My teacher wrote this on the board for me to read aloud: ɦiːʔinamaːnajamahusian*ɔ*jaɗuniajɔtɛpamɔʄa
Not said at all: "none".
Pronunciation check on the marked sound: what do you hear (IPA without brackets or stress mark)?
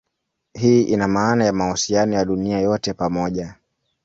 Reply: ɔ